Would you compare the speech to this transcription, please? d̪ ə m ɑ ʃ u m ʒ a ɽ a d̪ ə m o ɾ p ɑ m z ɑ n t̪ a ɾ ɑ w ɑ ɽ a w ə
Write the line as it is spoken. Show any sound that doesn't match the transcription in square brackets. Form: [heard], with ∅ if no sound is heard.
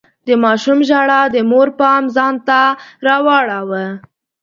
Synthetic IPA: d̪ ə m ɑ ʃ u m ʒ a ɽ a d̪ ə m o ɾ p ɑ m z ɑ n t̪ a ɾ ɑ w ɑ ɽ a w ə